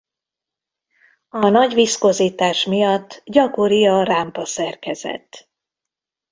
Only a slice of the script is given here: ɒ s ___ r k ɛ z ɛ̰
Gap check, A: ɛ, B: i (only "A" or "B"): A